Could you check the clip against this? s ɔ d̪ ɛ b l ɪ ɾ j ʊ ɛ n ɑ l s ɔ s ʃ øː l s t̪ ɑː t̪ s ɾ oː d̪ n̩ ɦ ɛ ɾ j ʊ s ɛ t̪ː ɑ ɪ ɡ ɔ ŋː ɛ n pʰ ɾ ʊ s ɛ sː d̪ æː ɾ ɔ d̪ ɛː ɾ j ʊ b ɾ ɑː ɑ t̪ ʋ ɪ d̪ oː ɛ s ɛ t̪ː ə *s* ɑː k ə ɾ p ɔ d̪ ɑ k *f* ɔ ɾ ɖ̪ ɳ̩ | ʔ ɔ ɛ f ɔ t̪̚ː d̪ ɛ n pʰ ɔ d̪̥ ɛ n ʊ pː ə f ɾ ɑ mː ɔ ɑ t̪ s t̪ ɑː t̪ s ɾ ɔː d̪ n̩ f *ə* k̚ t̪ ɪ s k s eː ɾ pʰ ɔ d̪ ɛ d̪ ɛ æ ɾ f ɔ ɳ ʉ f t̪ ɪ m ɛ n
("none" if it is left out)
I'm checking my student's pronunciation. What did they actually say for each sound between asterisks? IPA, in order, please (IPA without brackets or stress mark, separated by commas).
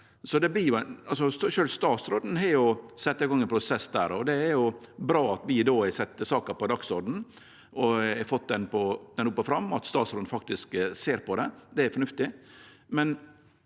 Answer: s, s, ɑ